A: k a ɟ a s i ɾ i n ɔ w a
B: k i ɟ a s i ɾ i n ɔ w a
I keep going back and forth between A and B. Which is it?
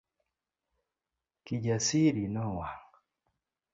B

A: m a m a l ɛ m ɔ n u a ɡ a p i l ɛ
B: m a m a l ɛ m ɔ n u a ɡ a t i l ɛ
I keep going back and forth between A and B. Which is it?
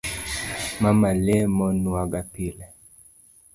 A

